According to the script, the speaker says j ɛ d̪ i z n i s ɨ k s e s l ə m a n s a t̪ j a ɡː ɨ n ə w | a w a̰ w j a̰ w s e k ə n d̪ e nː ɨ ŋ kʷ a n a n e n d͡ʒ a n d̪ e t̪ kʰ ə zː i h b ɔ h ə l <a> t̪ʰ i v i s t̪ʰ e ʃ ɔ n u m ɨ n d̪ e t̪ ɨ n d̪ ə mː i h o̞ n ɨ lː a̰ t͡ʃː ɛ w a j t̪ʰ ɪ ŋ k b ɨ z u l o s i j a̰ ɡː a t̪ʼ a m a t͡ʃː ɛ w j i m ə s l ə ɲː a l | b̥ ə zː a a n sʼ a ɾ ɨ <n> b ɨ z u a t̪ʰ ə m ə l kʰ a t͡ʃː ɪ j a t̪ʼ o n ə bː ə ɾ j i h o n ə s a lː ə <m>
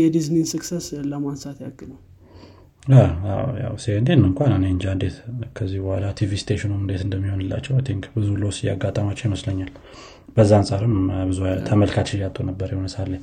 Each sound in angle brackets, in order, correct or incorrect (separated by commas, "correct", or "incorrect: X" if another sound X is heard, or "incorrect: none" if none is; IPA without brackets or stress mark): correct, incorrect: m, incorrect: ɲ